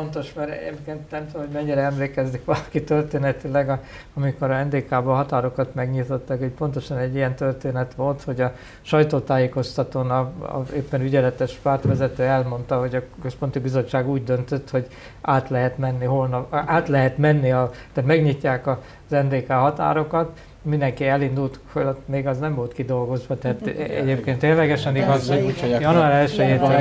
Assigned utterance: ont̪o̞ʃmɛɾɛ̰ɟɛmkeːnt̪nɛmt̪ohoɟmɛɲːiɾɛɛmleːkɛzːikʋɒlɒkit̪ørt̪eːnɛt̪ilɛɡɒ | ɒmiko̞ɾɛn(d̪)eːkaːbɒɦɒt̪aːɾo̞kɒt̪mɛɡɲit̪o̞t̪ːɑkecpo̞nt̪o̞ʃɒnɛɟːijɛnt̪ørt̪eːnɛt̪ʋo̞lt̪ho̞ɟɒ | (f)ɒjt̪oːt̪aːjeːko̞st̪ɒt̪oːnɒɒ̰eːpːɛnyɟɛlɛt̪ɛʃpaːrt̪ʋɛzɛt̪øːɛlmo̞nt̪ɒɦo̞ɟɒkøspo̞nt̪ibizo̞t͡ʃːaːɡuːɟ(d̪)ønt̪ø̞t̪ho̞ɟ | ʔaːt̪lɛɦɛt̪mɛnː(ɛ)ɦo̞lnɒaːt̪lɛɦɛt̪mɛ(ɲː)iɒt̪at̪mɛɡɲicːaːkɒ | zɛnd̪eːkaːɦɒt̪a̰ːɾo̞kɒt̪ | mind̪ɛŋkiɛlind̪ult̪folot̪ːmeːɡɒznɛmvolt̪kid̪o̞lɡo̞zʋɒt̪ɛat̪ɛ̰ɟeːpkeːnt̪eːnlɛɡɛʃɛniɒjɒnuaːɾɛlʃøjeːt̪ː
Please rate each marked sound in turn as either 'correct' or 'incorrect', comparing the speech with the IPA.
correct, incorrect: ʃ, correct, incorrect: i, incorrect: nː

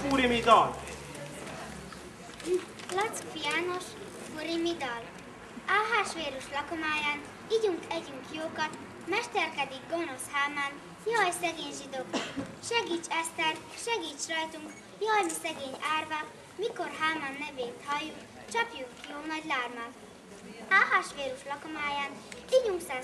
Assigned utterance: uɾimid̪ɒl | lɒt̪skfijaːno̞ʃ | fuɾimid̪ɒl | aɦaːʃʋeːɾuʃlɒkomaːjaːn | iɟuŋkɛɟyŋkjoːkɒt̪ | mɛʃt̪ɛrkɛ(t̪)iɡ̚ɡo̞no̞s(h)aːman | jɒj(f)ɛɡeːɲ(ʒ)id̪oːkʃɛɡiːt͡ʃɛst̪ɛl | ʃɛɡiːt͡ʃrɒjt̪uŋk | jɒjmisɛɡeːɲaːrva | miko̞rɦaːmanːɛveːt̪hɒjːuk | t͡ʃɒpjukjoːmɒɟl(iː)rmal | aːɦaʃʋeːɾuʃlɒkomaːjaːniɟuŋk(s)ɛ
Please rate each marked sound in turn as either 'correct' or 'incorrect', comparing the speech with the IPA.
incorrect: d̪, correct, incorrect: s, correct, incorrect: aː, correct

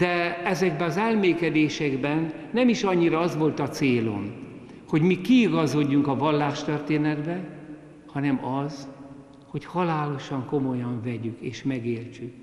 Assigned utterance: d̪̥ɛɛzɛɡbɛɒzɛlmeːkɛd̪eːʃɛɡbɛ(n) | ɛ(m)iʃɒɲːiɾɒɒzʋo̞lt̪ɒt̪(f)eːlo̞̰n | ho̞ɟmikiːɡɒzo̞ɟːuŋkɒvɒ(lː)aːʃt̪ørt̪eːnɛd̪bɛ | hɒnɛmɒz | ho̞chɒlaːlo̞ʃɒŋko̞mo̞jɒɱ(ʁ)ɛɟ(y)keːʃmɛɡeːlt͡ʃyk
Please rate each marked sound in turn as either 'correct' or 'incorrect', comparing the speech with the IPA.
incorrect: nː, correct, incorrect: s, correct, incorrect: v, correct

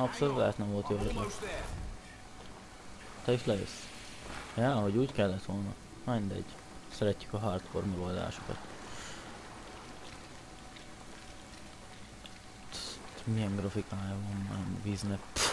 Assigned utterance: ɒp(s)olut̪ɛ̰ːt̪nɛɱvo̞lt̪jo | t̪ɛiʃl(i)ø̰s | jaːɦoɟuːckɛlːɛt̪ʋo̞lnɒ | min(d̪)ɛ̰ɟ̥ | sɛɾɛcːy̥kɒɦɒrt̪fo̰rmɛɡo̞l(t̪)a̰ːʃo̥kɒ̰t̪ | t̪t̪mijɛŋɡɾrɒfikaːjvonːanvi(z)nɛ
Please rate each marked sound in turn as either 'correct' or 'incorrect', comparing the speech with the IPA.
correct, incorrect: ɛ, correct, incorrect: d̪, correct

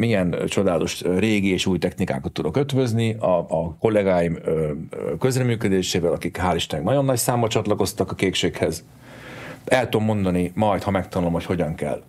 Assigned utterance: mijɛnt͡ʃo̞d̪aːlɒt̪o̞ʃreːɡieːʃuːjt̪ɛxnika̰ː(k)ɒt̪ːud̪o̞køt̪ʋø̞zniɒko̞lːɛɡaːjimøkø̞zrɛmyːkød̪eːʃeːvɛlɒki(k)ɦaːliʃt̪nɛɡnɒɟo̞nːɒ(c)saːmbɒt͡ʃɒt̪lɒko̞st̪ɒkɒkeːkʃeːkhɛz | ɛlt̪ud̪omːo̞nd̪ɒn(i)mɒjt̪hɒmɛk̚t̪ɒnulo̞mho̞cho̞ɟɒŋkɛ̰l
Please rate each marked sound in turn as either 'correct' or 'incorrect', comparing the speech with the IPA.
correct, correct, correct, correct

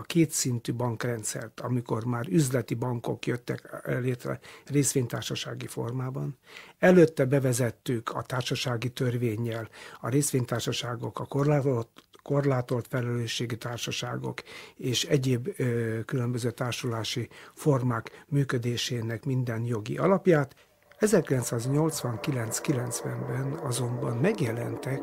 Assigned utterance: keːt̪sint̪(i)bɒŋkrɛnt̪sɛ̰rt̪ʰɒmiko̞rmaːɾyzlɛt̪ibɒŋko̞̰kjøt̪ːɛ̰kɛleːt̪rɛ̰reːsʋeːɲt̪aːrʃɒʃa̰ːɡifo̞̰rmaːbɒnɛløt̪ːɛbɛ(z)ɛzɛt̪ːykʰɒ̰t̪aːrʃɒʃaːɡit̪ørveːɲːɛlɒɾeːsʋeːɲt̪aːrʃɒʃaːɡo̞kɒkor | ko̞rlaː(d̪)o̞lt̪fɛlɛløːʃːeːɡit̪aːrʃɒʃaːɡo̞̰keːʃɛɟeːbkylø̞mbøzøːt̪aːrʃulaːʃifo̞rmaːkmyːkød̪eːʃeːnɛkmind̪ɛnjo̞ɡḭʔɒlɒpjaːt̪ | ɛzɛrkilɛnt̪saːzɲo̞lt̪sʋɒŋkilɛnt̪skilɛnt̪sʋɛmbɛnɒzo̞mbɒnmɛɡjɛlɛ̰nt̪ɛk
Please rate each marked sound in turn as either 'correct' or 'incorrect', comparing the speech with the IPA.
incorrect: y, incorrect: v, incorrect: t̪

